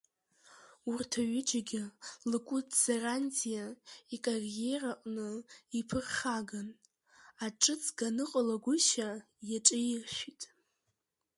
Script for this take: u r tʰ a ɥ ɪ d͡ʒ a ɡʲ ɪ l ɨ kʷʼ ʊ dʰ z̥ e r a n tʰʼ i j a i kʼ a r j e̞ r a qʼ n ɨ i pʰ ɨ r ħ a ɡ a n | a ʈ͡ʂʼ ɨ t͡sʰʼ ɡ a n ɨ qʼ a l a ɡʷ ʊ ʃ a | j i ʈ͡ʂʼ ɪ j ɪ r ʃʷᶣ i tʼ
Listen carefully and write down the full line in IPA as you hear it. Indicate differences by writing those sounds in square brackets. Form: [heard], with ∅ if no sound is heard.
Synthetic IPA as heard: u r tʰ a ɥ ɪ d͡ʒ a ɡʲ ɪ l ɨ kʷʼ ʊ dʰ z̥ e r a n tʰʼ i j a i kʼ a r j e̞ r a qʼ n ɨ i pʰ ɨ r [χ] a ɡ a n | a ʈ͡ʂʼ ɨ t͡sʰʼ ɡ a n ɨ qʼ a l a ɡʷ ʊ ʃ a | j [a] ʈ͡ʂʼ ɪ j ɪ r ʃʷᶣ i tʼ